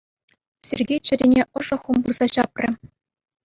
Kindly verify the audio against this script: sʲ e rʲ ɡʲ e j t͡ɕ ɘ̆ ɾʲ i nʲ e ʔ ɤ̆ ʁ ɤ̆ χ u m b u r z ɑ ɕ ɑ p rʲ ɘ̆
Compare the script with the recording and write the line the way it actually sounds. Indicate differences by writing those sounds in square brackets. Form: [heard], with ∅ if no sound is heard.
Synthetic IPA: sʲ e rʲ ɡʲ e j t͡ɕ ɘ̆ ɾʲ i nʲ e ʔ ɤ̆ [ʐ] ɤ̆ χ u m b u r z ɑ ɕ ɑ p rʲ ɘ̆